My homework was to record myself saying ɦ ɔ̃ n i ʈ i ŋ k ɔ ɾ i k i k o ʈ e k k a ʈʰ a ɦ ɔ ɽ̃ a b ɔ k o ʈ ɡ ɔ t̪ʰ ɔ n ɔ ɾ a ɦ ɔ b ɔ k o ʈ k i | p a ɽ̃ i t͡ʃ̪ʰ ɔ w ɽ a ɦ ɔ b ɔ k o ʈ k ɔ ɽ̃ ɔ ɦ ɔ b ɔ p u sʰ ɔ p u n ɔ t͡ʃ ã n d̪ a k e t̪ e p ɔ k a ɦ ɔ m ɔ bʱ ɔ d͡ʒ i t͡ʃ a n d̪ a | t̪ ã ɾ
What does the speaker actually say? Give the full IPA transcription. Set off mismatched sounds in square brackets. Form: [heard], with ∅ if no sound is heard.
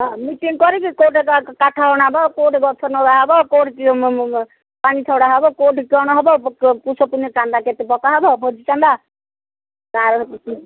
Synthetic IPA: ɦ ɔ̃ [m] i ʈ i ŋ k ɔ ɾ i k i k o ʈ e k k a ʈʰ a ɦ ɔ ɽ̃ a b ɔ k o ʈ ɡ ɔ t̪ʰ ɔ n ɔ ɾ a ɦ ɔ b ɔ k o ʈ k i | p a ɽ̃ i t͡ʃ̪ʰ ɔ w ɽ a ɦ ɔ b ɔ k o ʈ k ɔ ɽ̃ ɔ ɦ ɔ b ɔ p u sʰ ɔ p u n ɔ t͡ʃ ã n d̪ a k e t̪ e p ɔ k a ɦ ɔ [b] ɔ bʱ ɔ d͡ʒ i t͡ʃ a n d̪ a | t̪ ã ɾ